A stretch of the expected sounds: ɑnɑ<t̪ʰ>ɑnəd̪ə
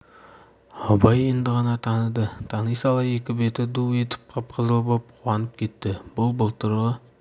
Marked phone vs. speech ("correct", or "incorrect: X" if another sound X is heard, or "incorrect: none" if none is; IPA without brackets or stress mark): correct